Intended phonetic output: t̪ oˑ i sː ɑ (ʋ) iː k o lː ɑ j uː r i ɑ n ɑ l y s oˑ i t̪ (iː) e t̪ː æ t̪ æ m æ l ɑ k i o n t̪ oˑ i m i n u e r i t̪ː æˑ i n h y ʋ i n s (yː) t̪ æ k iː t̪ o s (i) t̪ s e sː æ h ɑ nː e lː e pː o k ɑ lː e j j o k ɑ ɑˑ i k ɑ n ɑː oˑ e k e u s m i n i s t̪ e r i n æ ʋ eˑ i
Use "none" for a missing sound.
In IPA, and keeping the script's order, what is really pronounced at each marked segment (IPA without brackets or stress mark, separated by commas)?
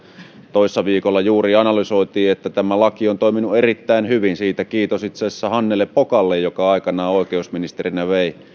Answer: ʋ, iː, iː, i